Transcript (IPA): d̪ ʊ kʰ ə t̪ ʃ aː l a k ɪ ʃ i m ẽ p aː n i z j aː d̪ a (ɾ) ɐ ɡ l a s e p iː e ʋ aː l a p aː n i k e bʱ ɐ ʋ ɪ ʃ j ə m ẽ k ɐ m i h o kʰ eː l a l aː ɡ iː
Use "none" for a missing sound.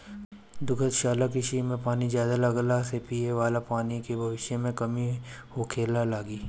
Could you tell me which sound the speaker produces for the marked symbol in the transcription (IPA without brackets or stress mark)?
l